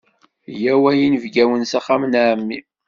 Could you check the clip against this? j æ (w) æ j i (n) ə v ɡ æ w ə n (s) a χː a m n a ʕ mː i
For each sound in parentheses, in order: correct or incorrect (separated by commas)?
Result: correct, correct, correct